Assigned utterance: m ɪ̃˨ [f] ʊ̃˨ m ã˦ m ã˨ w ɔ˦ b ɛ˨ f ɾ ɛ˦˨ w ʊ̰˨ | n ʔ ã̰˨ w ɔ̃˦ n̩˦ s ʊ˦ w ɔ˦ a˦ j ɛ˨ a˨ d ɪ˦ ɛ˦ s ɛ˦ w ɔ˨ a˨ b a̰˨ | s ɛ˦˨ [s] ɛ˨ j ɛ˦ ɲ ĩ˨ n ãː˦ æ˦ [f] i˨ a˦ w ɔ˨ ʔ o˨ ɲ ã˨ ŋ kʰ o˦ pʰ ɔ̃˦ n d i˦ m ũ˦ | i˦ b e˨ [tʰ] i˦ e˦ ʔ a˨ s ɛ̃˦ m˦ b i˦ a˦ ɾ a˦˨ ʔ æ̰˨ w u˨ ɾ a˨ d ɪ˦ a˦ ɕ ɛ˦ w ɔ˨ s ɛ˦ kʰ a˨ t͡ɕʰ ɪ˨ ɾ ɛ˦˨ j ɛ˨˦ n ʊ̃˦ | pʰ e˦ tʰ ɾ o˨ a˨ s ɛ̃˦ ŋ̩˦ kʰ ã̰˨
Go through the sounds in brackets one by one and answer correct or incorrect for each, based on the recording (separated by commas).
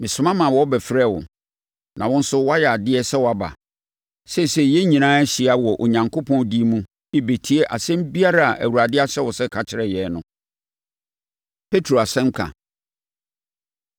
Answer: incorrect, correct, incorrect, correct